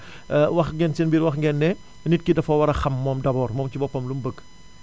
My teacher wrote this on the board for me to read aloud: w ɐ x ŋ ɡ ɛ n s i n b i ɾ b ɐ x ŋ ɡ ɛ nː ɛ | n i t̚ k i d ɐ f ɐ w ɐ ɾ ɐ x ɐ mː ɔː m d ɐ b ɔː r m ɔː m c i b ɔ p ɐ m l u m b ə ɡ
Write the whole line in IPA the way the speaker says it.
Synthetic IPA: w ɐ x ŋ ɡ ɛ n s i n b i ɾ w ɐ x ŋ ɡ ɛ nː ɛ | n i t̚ k i d ɐ f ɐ w ɐ ɾ ɐ x ɐ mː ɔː m d ɐ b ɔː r m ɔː m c i b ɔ p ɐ m l u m b ə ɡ